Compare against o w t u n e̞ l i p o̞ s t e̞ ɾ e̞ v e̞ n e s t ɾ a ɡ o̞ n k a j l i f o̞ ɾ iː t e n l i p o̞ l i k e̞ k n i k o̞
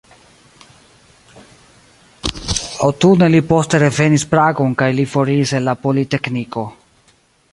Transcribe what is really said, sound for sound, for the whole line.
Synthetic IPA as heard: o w t u n e̞ l i p o̞ s t e̞ ɾ e̞ v e̞ n i s p ɾ a ɡ o̞ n k a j l i f o̞ ɾ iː s e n l a p o̞ l i t e̞ k n i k o̞